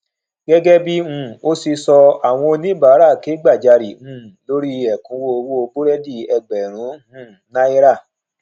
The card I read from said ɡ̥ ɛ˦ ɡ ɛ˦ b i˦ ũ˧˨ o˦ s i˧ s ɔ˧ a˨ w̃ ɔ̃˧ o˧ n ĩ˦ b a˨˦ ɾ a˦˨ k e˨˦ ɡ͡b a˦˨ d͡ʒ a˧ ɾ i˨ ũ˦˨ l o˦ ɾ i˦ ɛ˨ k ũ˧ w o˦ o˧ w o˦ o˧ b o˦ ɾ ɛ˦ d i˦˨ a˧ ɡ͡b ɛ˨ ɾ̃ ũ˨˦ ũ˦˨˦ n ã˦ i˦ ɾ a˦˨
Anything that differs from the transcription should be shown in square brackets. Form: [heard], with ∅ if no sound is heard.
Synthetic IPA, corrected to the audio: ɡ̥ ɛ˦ ɡ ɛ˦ b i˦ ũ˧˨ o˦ s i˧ s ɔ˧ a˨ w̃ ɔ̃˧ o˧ n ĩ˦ b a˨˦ ɾ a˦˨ k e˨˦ ɡ͡b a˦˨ d͡ʒ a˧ ɾ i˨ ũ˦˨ l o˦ ɾ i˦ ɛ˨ k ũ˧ w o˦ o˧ w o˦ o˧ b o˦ ɾ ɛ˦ d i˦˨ [ɛ˧] ɡ͡b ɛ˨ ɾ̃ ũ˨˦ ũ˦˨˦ n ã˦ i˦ ɾ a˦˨

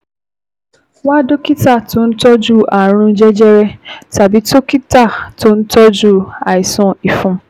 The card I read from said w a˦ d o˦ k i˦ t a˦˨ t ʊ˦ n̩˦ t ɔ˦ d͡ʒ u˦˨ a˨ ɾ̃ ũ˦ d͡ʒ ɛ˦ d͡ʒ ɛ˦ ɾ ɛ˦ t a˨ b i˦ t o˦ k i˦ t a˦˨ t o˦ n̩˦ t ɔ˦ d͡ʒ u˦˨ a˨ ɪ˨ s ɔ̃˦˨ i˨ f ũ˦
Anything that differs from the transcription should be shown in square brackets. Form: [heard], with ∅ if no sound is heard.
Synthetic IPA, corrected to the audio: w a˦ d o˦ k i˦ t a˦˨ t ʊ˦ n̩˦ t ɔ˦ d͡ʒ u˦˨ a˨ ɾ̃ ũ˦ d͡ʒ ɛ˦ d͡ʒ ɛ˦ ɾ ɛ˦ t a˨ b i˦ t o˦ k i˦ t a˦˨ t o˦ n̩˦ t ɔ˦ d͡ʒ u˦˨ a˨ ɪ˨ s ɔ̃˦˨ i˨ f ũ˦

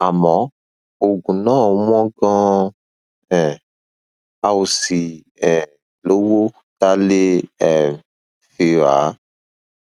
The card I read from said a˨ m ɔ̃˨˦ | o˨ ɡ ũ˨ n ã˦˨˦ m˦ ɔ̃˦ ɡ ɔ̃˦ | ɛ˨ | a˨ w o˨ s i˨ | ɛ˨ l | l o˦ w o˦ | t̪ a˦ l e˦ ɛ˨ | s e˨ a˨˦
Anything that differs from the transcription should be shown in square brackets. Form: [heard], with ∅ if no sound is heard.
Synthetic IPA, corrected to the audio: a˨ m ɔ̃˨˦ | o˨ ɡ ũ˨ n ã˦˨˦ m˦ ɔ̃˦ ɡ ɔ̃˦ | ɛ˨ | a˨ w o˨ s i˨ | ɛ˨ [∅] | l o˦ w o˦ | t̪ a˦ l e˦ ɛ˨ | [f] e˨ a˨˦

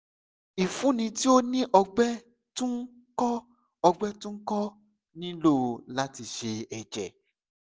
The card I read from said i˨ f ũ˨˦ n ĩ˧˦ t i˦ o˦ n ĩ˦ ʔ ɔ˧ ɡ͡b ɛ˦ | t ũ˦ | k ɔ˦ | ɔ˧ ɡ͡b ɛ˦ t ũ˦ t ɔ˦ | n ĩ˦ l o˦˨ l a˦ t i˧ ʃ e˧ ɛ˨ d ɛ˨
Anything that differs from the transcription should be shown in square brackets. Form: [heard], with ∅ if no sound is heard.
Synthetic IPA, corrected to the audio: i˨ f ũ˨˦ n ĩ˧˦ t i˦ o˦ n ĩ˦ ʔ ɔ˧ ɡ͡b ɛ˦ | t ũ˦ | k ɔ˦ | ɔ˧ ɡ͡b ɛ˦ t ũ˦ [k] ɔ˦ | n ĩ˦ l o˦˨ l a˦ t i˧ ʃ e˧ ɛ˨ [d͡ʒ] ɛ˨

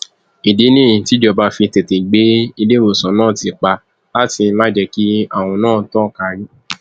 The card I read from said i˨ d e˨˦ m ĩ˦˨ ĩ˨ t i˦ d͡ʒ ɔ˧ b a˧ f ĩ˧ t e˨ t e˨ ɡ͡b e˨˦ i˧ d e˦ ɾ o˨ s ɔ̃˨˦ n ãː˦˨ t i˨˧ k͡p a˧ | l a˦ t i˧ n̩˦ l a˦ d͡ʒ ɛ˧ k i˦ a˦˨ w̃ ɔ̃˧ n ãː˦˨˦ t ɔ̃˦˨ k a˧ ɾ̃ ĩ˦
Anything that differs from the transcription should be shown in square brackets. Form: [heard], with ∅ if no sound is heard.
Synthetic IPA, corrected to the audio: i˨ d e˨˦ [n] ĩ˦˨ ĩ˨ t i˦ d͡ʒ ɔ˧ b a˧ f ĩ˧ t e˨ t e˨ ɡ͡b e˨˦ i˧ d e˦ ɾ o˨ s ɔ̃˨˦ n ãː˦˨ t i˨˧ k͡p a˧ | l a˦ t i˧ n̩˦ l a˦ d͡ʒ ɛ˧ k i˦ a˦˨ w̃ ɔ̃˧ n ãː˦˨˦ t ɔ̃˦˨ k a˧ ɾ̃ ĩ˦

